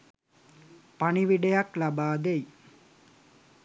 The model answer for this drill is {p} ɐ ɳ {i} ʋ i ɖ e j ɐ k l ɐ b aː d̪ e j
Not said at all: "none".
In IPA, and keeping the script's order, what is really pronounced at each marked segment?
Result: p, i

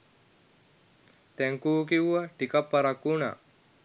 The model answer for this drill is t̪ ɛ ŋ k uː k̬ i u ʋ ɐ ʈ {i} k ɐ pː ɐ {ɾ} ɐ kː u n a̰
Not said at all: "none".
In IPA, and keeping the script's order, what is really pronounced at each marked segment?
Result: i, ɾ

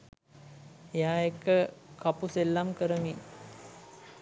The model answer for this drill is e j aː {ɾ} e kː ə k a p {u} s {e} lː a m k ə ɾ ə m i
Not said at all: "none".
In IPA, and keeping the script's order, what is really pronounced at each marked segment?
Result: none, u, e

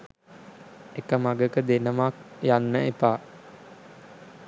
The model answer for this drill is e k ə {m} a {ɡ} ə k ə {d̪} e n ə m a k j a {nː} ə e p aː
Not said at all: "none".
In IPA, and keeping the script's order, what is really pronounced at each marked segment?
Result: m, ɡ, d̪, nː

